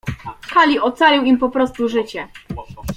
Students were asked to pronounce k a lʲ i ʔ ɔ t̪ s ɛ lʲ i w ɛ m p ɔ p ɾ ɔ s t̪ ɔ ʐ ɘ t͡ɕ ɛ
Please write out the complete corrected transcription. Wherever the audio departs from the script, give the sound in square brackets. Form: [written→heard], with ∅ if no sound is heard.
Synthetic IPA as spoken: k a lʲ i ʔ ɔ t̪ s [ɛ→a] lʲ i w [ɛ→i] m p ɔ p ɾ ɔ s t̪ [ɔ→u] ʐ ɘ t͡ɕ ɛ